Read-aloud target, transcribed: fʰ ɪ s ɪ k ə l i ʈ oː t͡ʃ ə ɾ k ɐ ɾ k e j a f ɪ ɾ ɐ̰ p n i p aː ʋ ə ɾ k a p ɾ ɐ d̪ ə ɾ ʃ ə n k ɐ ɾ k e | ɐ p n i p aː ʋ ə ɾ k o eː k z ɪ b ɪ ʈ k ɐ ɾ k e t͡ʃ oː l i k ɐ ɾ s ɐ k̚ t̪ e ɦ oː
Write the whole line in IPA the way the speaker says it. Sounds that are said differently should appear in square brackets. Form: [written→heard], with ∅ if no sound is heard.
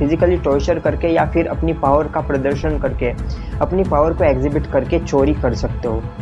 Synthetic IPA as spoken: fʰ ɪ [s→z] ɪ k ə l i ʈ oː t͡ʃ ə ɾ k ɐ ɾ k e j a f ɪ ɾ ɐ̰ p n i p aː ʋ ə ɾ k a p ɾ ɐ d̪ ə ɾ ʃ ə n k ɐ ɾ k e | ɐ p n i p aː ʋ ə ɾ k o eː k z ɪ b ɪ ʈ k ɐ ɾ k e t͡ʃ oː [l→ɾ] i k ɐ ɾ s ɐ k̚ t̪ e ɦ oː